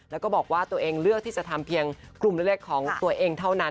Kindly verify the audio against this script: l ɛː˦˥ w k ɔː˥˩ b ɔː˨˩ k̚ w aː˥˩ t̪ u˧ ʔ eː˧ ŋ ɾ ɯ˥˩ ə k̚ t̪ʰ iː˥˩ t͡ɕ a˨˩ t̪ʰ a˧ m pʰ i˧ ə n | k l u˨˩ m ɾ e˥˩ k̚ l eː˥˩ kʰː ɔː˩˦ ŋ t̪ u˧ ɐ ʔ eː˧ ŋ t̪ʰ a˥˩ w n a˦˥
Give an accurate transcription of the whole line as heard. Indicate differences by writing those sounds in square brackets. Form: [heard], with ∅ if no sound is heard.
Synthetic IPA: l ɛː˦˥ w k ɔː˥˩ b ɔː˨˩ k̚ w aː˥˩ t̪ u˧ ʔ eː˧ ŋ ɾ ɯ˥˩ ə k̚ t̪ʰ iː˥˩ t͡ɕ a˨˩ t̪ʰ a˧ m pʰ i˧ ə [ŋ] | k l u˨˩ m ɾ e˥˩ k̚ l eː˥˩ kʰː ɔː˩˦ ŋ t̪ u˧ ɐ ʔ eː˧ ŋ t̪ʰ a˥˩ w n a˦˥